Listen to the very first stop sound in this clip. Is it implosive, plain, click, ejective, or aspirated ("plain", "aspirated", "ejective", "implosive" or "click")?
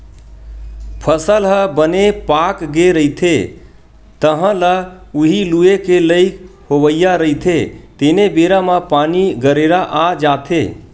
aspirated